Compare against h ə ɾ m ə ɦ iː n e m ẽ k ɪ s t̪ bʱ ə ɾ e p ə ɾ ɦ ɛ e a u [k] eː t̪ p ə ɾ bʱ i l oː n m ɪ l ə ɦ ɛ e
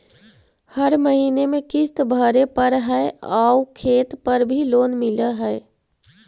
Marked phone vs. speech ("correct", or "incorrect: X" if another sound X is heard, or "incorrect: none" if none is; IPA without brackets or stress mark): incorrect: kʰ